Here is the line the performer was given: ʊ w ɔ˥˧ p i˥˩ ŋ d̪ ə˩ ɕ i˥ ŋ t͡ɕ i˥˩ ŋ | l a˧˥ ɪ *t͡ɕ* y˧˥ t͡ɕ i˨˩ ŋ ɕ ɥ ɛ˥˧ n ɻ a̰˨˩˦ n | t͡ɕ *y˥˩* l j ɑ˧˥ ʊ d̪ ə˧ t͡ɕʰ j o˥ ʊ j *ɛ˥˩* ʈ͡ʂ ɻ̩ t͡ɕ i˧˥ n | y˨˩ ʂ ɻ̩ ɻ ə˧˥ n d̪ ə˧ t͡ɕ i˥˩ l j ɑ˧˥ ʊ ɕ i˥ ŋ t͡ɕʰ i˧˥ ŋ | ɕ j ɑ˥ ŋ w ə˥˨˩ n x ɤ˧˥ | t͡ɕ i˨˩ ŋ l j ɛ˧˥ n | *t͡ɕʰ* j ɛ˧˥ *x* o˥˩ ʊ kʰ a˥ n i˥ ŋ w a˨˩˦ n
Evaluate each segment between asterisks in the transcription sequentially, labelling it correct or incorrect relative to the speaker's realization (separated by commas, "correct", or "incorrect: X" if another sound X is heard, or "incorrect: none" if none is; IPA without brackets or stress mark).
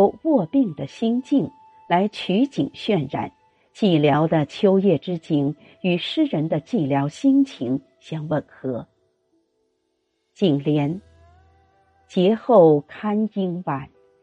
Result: incorrect: t͡ɕʰ, incorrect: i˥˩, correct, incorrect: t͡ɕ, correct